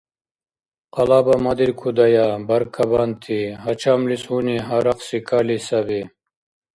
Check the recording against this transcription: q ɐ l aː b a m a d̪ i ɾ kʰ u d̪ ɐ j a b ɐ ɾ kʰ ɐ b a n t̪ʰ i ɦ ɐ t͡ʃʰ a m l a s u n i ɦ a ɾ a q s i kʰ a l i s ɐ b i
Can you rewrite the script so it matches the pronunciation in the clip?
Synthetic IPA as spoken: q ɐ l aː b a m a d̪ i ɾ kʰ u d̪ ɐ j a b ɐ ɾ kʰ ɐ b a n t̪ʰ i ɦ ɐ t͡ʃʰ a m l i s u n i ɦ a ɾ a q s i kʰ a l i s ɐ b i